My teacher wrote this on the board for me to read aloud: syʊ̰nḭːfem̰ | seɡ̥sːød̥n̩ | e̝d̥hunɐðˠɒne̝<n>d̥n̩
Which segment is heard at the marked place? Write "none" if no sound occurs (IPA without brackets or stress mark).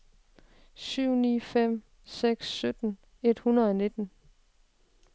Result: none